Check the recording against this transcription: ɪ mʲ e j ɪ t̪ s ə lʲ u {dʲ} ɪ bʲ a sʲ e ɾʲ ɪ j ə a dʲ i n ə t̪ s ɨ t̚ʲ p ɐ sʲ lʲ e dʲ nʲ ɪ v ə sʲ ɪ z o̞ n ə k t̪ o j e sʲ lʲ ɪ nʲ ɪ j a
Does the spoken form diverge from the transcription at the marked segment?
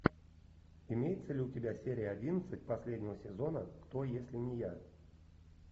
yes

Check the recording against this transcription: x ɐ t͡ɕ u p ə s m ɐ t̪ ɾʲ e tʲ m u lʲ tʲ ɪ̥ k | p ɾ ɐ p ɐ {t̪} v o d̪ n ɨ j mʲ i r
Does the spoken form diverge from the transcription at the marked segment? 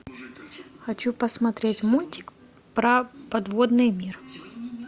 yes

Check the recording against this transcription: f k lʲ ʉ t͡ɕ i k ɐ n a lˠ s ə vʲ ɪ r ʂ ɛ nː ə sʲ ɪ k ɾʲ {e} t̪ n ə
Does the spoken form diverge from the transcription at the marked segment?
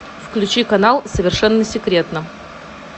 no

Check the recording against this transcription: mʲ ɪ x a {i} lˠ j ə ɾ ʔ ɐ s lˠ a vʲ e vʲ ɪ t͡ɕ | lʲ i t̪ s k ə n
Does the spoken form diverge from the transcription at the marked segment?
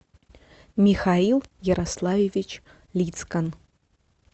no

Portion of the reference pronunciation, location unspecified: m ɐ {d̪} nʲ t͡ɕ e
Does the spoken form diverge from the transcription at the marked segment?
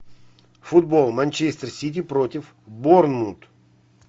yes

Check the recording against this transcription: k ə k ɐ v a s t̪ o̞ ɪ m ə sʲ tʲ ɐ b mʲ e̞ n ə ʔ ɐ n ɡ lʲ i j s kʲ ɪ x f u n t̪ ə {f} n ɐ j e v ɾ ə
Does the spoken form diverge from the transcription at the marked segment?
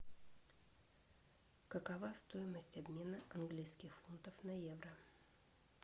no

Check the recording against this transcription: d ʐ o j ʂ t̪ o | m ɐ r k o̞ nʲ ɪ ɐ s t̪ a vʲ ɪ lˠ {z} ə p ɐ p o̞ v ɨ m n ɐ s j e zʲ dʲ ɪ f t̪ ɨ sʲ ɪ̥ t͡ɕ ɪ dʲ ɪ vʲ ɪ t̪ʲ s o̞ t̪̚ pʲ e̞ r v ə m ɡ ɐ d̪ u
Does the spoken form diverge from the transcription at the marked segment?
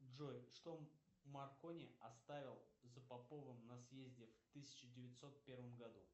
no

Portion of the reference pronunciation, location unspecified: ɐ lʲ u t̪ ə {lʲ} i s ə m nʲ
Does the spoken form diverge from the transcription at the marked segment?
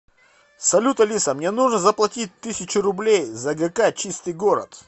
no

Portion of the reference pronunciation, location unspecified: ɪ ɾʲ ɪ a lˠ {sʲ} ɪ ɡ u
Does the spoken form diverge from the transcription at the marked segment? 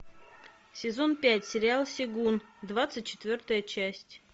no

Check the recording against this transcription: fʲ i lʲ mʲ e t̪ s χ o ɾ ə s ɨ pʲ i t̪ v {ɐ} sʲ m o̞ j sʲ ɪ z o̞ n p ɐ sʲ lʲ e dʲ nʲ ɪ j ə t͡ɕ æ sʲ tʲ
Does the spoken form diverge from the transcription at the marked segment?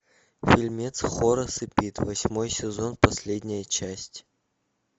no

